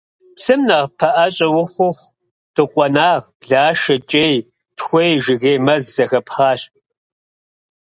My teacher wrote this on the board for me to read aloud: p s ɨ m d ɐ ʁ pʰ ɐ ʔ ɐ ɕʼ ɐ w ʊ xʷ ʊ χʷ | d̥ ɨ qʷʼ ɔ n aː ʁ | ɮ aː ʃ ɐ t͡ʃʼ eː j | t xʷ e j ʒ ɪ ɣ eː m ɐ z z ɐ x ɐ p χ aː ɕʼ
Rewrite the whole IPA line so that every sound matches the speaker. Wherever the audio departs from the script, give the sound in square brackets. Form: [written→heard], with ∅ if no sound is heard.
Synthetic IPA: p s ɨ m [d→n] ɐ ʁ pʰ ɐ ʔ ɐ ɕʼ ɐ w ʊ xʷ ʊ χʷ | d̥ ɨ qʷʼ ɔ n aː ʁ | ɮ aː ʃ ɐ t͡ʃʼ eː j | t xʷ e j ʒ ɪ ɣ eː m ɐ z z ɐ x ɐ p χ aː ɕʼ

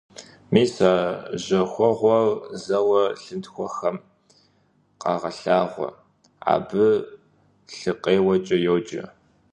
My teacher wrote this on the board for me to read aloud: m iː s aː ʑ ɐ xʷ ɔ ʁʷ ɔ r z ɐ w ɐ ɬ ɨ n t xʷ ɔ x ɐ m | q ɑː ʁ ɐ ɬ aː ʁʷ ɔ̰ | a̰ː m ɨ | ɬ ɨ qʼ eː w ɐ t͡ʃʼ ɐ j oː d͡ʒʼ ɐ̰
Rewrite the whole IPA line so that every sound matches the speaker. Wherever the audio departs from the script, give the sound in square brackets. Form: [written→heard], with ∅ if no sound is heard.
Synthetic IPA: m iː s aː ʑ ɐ xʷ ɔ ʁʷ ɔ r z ɐ w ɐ ɬ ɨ n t xʷ ɔ x ɐ m | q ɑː ʁ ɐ ɬ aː ʁʷ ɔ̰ | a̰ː [m→b] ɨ | ɬ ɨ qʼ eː w ɐ t͡ʃʼ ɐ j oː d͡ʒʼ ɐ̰

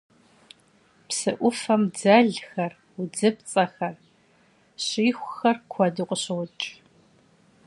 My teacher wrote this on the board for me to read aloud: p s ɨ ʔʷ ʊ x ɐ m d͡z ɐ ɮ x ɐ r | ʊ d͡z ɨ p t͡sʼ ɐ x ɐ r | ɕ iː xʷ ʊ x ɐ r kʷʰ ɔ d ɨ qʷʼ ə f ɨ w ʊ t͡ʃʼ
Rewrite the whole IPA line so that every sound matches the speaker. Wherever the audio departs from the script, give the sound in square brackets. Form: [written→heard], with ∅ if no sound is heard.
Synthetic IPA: p s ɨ ʔʷ ʊ [x→f] ɐ m d͡z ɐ ɮ x ɐ r | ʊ d͡z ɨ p t͡sʼ ɐ x ɐ r | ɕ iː xʷ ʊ x ɐ r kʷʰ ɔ d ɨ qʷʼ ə [f→ɕ] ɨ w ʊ t͡ʃʼ

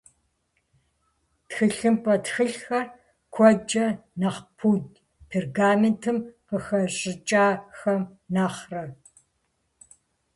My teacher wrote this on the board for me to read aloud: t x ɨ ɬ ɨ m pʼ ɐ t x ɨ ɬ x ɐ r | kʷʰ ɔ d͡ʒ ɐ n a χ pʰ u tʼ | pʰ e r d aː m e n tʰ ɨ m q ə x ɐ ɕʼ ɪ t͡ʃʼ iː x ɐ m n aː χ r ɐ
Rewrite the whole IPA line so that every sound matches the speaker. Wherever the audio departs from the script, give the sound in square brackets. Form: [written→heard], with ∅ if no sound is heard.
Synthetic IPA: t x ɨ ɬ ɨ m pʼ ɐ t x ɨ ɬ x ɐ r | kʷʰ ɔ d͡ʒ ɐ n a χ pʰ u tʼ | pʰ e r [d→ɡ] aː m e n tʰ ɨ m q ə x ɐ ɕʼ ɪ t͡ʃʼ [iː→aː] x ɐ m n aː χ r ɐ

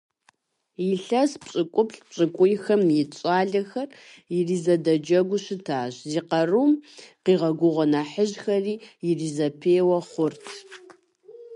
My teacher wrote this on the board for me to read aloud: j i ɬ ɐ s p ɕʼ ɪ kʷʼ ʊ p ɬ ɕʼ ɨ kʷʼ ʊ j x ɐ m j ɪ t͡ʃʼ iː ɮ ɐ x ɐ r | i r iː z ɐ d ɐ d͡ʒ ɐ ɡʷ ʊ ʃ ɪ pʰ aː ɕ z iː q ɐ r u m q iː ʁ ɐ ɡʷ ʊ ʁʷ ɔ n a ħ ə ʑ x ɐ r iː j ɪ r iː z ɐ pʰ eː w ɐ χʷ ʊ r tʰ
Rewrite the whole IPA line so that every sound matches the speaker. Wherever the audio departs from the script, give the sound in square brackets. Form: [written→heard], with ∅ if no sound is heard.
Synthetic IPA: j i ɬ ɐ s p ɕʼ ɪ kʷʼ ʊ p ɬ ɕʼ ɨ kʷʼ ʊ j x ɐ m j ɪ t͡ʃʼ [iː→aː] ɮ ɐ x ɐ r | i r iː z ɐ d ɐ d͡ʒ ɐ ɡʷ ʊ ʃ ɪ [pʰ→tʰ] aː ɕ z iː q ɐ r u m q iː ʁ ɐ ɡʷ ʊ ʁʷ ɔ n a ħ ə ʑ x ɐ r iː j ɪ r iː z ɐ pʰ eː w ɐ χʷ ʊ r tʰ

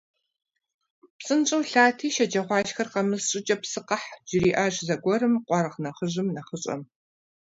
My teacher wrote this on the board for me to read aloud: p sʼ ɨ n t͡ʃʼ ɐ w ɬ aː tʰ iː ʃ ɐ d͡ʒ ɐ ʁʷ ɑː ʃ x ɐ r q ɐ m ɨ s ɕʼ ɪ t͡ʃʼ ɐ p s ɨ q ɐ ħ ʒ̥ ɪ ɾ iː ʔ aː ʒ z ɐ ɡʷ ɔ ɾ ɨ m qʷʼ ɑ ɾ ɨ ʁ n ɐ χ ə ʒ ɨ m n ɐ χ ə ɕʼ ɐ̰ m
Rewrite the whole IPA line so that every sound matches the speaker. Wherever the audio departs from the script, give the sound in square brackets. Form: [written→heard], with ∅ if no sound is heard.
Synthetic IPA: p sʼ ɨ n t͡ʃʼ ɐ w ɬ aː tʰ iː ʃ ɐ d͡ʒ ɐ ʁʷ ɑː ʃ x ɐ r q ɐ m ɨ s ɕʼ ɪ t͡ʃʼ ɐ p s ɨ q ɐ ħ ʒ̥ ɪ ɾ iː ʔ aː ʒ z ɐ ɡʷ ɔ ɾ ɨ m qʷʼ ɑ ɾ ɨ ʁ n ɐ χ ə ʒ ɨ m n ɐ χ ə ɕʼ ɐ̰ m

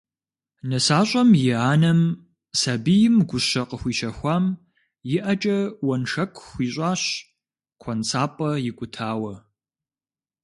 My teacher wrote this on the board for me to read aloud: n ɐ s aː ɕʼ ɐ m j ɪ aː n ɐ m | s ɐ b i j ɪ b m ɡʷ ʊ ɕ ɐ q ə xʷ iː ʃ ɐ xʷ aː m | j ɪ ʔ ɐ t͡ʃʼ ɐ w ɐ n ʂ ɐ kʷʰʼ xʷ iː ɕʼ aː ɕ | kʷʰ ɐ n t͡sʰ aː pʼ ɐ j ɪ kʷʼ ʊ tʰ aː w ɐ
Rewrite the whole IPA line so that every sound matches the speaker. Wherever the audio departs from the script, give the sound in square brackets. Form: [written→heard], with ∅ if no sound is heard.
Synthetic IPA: n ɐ s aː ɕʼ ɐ m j ɪ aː n ɐ m | s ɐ b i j ɪ [b→∅] m ɡʷ ʊ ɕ ɐ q ə xʷ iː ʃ ɐ xʷ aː m | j ɪ ʔ ɐ t͡ʃʼ ɐ w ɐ n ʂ ɐ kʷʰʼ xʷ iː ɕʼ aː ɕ | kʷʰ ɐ n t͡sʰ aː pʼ ɐ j ɪ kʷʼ ʊ tʰ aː w ɐ

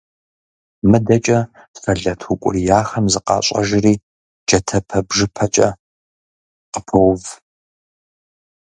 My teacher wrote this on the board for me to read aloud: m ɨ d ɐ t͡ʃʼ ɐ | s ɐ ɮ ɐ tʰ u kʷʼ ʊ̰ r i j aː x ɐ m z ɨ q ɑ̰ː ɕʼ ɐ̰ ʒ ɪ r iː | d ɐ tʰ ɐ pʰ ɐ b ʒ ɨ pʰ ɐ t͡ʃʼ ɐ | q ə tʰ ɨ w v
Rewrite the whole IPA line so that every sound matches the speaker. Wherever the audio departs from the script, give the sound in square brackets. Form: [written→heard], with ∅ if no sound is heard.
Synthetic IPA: m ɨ d ɐ t͡ʃʼ ɐ | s ɐ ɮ ɐ tʰ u kʷʼ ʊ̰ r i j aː x ɐ m z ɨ q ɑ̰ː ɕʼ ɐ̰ ʒ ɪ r iː | [d→d͡ʒ] ɐ tʰ ɐ pʰ ɐ b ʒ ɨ pʰ ɐ t͡ʃʼ ɐ | q ə [tʰ→pʰ] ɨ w v

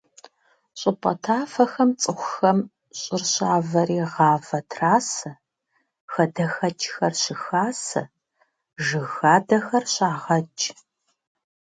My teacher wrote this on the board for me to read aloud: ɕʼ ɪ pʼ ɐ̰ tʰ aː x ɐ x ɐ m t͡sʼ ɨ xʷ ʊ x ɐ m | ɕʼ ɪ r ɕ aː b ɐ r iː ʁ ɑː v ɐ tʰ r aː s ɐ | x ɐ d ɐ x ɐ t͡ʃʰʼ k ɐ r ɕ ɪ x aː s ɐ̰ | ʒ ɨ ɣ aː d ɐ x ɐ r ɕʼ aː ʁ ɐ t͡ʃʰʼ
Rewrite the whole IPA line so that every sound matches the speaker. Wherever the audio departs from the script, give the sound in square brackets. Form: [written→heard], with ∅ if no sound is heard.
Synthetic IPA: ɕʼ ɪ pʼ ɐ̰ tʰ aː [x→f] ɐ x ɐ m t͡sʼ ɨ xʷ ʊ x ɐ m | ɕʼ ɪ r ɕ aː [b→v] ɐ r iː ʁ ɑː v ɐ tʰ r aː s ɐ | x ɐ d ɐ x ɐ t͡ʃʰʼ [k→x] ɐ r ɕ ɪ x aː s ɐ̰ | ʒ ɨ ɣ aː d ɐ x ɐ r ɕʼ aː ʁ ɐ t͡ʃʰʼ

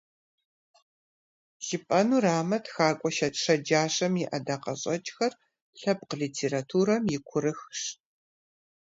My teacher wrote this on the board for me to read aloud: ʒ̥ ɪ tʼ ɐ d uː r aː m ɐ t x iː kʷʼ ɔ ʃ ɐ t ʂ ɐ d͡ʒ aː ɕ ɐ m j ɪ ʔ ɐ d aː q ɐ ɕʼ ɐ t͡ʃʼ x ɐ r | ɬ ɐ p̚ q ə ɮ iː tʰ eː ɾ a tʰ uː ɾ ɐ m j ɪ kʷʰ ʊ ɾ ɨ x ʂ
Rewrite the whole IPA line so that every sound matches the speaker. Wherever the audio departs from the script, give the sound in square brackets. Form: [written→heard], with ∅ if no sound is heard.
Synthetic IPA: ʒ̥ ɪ [tʼ→pʼ] ɐ [d→n] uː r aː m ɐ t x [iː→aː] kʷʼ ɔ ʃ ɐ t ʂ ɐ d͡ʒ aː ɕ ɐ m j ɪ ʔ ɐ d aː q ɐ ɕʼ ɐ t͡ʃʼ x ɐ r | ɬ ɐ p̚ q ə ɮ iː tʰ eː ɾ a tʰ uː ɾ ɐ m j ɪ kʷʰ ʊ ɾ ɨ x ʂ

